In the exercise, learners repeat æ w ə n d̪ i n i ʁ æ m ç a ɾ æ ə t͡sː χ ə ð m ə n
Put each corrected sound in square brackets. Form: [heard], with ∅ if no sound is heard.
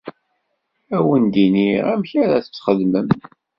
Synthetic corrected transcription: æ w ə n d̪ i n i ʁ æ m ç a ɾ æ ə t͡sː χ ə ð m ə [m]